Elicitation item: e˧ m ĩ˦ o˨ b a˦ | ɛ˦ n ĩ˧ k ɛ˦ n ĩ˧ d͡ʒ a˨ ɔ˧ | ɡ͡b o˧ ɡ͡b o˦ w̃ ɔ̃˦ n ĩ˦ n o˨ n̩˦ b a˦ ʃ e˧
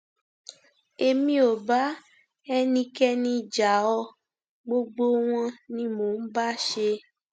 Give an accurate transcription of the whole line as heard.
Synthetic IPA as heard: e˧ m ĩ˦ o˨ b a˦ | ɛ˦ n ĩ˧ k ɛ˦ n ĩ˧ d͡ʒ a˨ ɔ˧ | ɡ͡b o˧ ɡ͡b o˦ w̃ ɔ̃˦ n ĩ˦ m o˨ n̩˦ b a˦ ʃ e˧